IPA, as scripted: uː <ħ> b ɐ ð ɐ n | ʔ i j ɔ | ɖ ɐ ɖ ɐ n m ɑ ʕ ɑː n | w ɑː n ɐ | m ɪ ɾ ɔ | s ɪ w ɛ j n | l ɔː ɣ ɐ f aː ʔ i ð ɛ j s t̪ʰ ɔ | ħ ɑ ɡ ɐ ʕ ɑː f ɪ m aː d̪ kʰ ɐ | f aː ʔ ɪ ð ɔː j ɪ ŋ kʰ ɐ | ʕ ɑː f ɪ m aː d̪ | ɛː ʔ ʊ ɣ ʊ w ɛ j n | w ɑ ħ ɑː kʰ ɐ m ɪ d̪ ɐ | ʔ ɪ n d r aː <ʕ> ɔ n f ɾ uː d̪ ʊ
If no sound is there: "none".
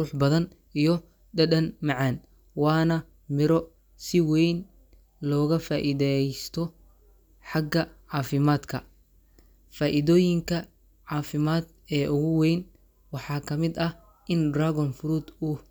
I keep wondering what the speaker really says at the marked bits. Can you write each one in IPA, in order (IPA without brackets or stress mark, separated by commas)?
ħ, ɣ